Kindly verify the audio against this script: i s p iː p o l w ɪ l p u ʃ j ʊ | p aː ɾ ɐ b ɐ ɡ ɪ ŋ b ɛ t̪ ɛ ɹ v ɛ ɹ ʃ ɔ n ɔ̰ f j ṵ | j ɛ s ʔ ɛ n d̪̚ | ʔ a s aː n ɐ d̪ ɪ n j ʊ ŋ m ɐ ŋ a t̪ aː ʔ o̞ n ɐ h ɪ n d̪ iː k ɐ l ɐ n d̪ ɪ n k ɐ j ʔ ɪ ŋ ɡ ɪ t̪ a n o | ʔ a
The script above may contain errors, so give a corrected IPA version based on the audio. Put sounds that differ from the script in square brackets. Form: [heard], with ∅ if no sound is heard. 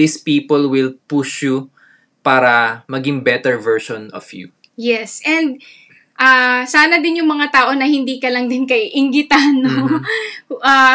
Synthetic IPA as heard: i s p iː p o l w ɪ l p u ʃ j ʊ | p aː ɾ ɐ [m] ɐ ɡ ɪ ŋ b ɛ t̪ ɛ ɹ v ɛ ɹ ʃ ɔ n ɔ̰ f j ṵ | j ɛ s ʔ ɛ n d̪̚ | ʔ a s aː n ɐ d̪ ɪ n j ʊ ŋ m ɐ ŋ a t̪ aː ʔ o̞ n ɐ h ɪ n d̪ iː k ɐ l ɐ [ŋ] d̪ ɪ n k ɐ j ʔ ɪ ŋ ɡ ɪ t̪ a n o | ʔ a